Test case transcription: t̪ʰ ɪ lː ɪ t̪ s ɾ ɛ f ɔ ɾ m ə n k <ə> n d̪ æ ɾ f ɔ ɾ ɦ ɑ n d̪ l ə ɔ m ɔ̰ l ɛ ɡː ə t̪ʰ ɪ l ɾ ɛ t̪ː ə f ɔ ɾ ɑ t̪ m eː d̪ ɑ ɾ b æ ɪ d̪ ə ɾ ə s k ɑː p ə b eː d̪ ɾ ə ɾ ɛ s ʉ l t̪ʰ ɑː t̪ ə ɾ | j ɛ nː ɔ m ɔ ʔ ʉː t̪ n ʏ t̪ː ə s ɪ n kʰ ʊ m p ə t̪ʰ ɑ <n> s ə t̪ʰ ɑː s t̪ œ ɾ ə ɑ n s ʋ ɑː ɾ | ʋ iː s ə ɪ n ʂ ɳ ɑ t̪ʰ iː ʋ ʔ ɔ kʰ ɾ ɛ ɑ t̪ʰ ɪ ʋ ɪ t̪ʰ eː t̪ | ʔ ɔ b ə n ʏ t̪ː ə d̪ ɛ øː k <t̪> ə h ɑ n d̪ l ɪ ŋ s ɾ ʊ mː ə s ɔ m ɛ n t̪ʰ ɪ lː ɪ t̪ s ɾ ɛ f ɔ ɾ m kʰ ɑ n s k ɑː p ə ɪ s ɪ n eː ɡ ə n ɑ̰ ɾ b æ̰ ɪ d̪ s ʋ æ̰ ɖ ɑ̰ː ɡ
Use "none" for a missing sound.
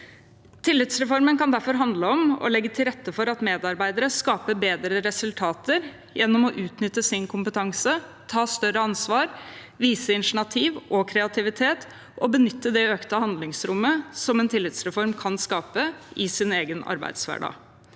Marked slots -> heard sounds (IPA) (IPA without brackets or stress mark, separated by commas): ɑ, ŋ, t̪